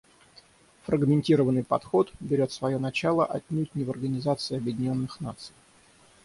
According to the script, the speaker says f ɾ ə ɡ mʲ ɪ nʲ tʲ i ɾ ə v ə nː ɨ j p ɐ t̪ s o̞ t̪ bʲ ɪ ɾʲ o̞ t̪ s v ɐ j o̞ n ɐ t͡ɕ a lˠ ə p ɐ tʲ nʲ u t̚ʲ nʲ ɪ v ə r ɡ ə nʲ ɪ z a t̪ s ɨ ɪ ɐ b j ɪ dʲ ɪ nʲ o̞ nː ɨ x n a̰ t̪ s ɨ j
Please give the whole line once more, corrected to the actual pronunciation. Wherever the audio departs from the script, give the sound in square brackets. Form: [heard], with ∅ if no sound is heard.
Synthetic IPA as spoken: f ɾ ə ɡ mʲ ɪ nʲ tʲ i ɾ ə v ə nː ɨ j p ɐ t̪ [x] o̞ t̪ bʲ ɪ ɾʲ o̞ t̪ s v ɐ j o̞ n ɐ t͡ɕ a lˠ ə [ʔ] ɐ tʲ nʲ u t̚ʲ nʲ ɪ v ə r ɡ ə nʲ ɪ z a t̪ s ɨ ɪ ɐ b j ɪ dʲ ɪ nʲ o̞ nː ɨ x n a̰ t̪ s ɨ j